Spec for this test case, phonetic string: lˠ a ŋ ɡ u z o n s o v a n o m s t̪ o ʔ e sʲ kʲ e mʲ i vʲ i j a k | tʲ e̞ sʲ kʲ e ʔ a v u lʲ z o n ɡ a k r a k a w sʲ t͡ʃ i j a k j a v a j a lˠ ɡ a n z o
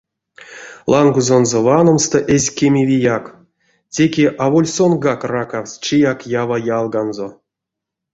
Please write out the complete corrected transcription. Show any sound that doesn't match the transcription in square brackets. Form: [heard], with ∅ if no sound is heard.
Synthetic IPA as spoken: lˠ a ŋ ɡ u z o n [z] o v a n o m s t̪ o ʔ e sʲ kʲ e mʲ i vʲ i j a k | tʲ e̞ [∅] kʲ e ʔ a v [o] lʲ [s] o n ɡ a k r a k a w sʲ t͡ʃ i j a k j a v a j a lˠ ɡ a n z o